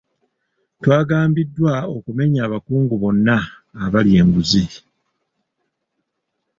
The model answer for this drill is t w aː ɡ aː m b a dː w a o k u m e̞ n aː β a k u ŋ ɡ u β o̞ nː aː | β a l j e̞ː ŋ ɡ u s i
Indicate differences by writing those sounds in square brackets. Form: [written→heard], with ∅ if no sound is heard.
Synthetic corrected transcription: t w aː ɡ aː m b [a→i] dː w a o k u m e̞ [n→ɲ] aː β a k [u→uː] ŋ ɡ u β o̞ nː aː | β a l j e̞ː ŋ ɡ u [s→z] i

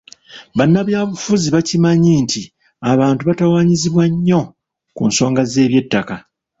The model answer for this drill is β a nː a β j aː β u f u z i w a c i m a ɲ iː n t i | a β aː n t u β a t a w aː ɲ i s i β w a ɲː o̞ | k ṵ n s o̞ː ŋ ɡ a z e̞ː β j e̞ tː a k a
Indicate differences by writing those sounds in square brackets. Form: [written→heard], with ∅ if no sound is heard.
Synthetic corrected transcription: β a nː a β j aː β u f u z i [w→β] a c i m a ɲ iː n t i | a β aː n t u β a t a w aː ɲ i [s→z] i β w a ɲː o̞ | k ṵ n s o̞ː ŋ ɡ a z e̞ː β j e̞ tː a k a

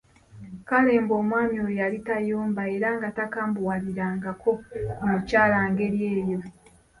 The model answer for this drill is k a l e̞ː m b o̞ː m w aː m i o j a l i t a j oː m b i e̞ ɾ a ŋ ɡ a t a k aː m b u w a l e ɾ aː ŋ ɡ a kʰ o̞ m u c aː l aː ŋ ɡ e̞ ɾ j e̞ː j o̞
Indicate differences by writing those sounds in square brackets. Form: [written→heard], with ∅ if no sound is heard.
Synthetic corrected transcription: k a l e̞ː m b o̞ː m w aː m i o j a l i t a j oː m b [i→a] e̞ ɾ a ŋ ɡ a t a k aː m b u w a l [e→i] ɾ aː ŋ ɡ a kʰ o̞ m u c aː l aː ŋ ɡ e̞ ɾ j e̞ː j o̞

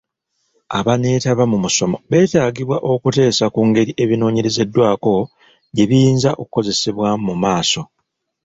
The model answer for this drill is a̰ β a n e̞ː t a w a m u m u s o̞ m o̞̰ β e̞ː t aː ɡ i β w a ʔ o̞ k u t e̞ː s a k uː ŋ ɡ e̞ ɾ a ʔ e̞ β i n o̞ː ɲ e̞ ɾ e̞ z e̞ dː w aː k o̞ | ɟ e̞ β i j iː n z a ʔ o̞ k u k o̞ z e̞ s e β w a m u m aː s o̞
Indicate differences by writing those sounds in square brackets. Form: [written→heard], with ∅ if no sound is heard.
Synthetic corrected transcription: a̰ β a n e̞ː t a [w→β] a m u m u s o̞ m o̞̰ β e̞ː t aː ɡ i β w a ʔ o̞ k u t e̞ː s a k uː ŋ ɡ e̞ ɾ [a→i] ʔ e̞ β i n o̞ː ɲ e̞ ɾ e̞ z e̞ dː w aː k o̞ | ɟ e̞ β i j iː n z a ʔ o̞ k u k o̞ z e̞ s e β w a m u m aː s o̞

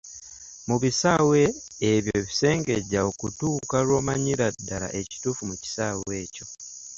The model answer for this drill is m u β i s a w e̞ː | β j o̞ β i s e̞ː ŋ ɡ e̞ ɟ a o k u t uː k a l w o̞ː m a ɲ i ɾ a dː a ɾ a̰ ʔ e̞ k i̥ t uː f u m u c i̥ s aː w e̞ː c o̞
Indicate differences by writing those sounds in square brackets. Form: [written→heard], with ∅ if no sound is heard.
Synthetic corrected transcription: m u β i s a w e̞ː | β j o̞ β i s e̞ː ŋ ɡ e̞ ɟ a o k u t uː k a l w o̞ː m a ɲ i ɾ a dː a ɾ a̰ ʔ e̞ [k→c] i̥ t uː f u m u c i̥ s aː w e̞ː c o̞

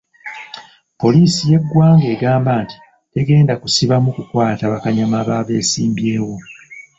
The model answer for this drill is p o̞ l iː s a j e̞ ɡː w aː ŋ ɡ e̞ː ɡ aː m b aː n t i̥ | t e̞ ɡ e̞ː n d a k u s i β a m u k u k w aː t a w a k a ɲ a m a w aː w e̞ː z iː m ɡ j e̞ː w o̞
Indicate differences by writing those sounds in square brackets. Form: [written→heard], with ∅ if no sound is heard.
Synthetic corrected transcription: p o̞ l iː s [a→i] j e̞ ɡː w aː ŋ ɡ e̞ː ɡ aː m b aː n t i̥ | t e̞ ɡ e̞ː n d a k u s i β a m u k u k w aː t a [w→β] a k a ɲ a m a [w→β] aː [w→β] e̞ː [z→s] iː m [ɡ→b] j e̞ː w o̞

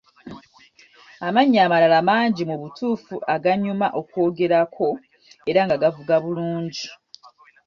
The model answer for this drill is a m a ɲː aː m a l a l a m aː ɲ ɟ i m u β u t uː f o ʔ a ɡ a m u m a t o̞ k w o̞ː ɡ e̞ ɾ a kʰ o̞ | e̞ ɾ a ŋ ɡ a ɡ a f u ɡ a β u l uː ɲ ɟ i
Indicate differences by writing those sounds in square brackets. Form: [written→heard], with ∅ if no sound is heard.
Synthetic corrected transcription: a m a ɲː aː m a l a l a m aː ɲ ɟ i m u β u t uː f [o→u] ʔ a ɡ a [m→ɲ] u m a [t→ʔ] o̞ k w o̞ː ɡ e̞ ɾ a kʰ o̞ | e̞ ɾ a ŋ ɡ a ɡ a [f→v] u ɡ a β u l uː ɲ ɟ i

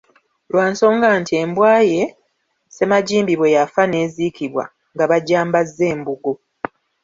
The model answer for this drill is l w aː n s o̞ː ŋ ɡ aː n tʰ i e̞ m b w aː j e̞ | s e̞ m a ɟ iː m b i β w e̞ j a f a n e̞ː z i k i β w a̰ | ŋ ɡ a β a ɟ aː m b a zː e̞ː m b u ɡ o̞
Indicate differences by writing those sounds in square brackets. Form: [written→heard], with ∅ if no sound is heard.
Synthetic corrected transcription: l w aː n s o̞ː ŋ ɡ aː n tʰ i e̞ m b w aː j e̞ | s e̞ m a ɟ iː m b i β w e̞ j a f a n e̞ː z i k i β w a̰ | ŋ ɡ a β a ɟ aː m b a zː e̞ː m b u ɡ o̞

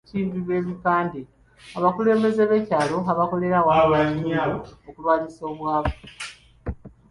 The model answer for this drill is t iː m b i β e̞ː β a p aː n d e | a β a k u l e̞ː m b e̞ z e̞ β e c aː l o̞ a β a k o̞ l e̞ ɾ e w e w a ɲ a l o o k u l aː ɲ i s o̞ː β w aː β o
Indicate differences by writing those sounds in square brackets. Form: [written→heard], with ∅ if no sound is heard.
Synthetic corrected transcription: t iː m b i β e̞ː β [a→i] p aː n d e | a β a k u l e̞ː m b e̞ z e̞ β e c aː l o̞ a β a k o̞ l e̞ ɾ [e→a] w [e→a] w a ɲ a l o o k u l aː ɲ i s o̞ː β w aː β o

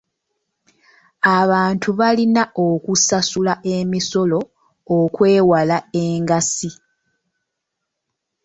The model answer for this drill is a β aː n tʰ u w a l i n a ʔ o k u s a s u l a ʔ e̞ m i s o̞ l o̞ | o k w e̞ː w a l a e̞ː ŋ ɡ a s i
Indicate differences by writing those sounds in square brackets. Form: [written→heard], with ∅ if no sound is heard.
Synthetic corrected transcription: a β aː n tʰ u [w→β] a l i n a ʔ o k u s a s u l a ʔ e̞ m i s o̞ l o̞ | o k w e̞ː w a l a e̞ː ŋ ɡ a s i

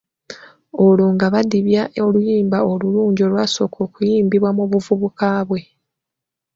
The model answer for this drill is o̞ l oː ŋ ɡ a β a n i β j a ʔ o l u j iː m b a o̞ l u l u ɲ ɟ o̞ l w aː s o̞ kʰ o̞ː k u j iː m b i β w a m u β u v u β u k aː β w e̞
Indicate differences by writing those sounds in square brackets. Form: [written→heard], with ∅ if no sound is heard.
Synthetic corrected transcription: o̞ l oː ŋ ɡ a β a [n→d] i β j a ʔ o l u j iː m b a o̞ l u l [u→uː] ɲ ɟ o̞ l w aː s o̞ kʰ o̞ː k u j iː m b i β w a m u β u v u β u k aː β w e̞

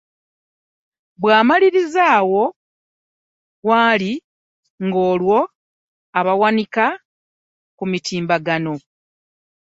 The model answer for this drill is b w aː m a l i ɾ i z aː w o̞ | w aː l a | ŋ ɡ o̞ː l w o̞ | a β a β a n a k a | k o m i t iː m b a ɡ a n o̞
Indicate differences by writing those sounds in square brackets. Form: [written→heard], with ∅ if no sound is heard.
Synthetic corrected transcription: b w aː m a l i ɾ i z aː w o̞ | w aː l [a→i] | ŋ ɡ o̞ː l w o̞ | a β a [β→w] a n [a→i] k a | k [o→u] m i t iː m b a ɡ a n o̞

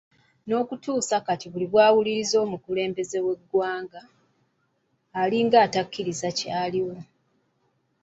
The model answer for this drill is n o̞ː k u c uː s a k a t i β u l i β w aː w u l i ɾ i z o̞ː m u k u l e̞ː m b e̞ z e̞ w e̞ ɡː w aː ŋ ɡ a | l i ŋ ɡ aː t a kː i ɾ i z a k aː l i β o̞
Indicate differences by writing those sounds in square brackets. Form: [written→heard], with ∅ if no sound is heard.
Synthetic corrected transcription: n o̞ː k u [c→t] uː s a k a t i β u l i β w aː w u l i ɾ i z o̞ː m u k u l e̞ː m b e̞ z e̞ w e̞ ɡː w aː ŋ ɡ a | l i ŋ ɡ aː t a kː i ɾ i z a [k→c] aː l i [β→w] o̞

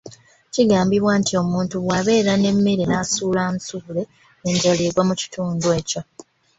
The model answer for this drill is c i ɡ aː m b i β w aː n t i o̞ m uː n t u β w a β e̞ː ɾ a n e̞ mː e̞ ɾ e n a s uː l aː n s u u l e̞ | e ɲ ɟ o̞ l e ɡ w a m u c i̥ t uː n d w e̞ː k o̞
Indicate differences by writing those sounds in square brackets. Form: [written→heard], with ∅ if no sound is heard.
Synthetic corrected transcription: c i ɡ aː m b i β w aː n t i o̞ m uː n t u β w a β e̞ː ɾ a n e̞ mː e̞ ɾ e n a s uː l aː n s u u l e̞ | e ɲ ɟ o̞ l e ɡ w a m u c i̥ t uː n d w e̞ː [k→c] o̞

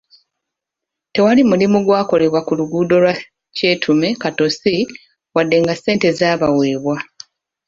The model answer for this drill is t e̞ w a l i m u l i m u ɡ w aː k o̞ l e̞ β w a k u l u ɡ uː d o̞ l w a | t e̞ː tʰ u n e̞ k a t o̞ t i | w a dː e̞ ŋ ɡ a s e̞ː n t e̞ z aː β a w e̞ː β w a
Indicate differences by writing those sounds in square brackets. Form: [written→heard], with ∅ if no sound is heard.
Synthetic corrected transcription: t e̞ w a l i m u l i m u ɡ w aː k o̞ l e̞ β w a k u l u ɡ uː d o̞ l w a | [t→c] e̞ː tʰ u [n→m] e̞ k a t o̞ [t→s] i | w a dː e̞ ŋ ɡ a s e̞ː n t e̞ z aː β a w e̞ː β w a

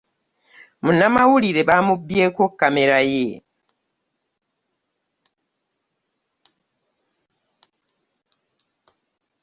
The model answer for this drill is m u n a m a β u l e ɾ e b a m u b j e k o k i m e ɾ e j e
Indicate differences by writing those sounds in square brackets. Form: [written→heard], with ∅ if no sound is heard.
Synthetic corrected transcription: m u n a m a [β→w] u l [e→i] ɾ e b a m u b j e k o k [i→a] m e ɾ [e→a] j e

